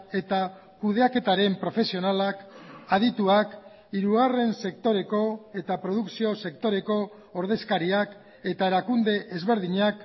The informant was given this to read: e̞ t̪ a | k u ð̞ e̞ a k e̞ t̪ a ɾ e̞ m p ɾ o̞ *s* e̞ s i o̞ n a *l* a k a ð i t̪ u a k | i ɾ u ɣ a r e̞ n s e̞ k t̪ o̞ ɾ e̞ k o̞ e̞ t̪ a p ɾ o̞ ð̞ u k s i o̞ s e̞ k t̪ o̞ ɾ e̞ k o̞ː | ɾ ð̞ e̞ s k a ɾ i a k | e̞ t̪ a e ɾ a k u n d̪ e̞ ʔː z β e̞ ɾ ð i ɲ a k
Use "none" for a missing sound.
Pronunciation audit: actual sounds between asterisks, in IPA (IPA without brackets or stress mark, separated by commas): f, l